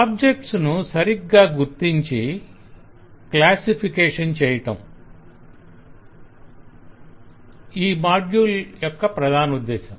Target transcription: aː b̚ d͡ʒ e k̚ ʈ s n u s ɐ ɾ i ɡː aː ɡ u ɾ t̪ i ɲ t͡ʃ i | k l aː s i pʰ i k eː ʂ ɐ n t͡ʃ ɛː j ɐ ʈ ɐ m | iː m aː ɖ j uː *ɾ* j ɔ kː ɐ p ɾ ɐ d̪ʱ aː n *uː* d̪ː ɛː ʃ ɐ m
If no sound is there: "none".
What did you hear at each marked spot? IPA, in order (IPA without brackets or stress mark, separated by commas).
l, u